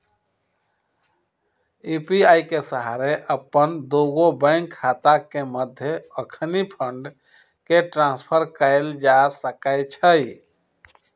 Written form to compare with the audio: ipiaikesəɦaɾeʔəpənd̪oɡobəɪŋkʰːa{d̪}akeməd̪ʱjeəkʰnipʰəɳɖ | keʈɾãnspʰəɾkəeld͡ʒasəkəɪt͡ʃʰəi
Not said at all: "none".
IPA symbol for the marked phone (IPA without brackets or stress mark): t̪